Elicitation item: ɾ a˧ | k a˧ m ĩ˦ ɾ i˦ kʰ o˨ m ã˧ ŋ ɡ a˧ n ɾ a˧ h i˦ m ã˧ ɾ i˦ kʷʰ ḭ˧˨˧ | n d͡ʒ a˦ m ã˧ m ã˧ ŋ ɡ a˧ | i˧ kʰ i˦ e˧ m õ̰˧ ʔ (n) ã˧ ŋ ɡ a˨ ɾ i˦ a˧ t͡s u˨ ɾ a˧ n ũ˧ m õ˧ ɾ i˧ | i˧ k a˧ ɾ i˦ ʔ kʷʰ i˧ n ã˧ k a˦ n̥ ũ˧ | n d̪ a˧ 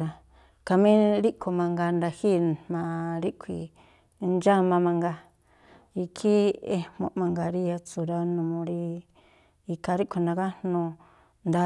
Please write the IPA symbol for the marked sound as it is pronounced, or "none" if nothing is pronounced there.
m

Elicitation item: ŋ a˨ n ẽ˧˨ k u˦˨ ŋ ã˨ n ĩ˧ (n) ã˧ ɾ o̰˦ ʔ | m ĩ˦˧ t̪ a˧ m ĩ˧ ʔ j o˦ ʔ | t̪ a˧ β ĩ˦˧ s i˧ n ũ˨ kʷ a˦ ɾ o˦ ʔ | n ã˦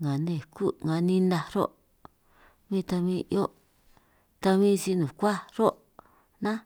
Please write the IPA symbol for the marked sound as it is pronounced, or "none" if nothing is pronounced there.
n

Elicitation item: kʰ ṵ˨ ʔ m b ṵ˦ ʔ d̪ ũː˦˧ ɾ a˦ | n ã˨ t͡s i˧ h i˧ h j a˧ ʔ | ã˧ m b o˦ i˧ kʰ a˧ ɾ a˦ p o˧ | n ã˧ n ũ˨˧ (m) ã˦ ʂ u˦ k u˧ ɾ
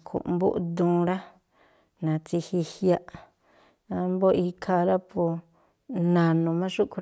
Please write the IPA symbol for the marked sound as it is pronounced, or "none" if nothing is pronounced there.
m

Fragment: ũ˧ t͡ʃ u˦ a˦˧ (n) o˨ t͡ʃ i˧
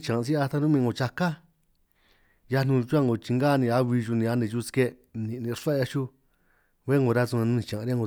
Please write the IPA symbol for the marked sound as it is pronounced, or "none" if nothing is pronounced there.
ŋ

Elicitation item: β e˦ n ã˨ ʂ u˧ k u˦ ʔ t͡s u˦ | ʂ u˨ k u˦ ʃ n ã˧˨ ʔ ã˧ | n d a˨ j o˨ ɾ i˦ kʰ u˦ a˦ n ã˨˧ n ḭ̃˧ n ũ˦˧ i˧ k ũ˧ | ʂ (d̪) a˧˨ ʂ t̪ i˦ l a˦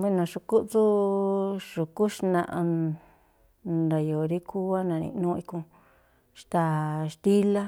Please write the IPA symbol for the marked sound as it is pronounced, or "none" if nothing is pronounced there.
t̪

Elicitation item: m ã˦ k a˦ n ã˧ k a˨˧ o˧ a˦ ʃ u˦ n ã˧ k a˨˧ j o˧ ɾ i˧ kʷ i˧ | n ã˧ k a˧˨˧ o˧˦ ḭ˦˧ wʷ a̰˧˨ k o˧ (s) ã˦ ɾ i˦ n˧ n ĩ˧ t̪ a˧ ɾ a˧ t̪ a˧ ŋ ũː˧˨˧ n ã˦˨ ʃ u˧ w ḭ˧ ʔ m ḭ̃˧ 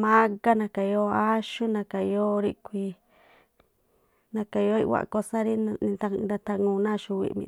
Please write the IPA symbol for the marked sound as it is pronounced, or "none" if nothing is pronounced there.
s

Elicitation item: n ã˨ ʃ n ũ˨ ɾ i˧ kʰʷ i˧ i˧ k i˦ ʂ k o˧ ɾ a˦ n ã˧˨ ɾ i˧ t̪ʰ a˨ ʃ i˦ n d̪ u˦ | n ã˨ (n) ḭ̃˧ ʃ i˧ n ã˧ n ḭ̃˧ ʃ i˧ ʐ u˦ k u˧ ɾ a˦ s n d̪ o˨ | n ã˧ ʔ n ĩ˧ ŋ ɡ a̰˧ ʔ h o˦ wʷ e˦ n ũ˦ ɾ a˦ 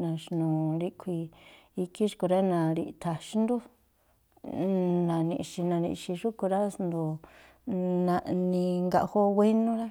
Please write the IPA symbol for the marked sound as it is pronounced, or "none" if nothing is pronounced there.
n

